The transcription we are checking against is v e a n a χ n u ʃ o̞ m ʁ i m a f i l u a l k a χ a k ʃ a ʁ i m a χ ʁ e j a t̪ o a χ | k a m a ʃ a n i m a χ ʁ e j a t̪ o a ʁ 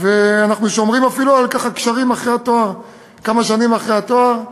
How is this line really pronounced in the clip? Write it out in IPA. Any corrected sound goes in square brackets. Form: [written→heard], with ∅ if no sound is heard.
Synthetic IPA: v e a n a χ n u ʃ o̞ m ʁ i m a f i l u a l k a χ a k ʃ a ʁ i m a χ ʁ e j a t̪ o a [χ→ʁ] | k a m a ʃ a n i m a χ ʁ e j a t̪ o a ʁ